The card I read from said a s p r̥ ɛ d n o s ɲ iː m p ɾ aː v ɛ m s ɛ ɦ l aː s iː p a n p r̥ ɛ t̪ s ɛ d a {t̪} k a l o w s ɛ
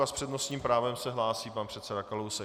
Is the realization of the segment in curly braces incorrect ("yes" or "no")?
yes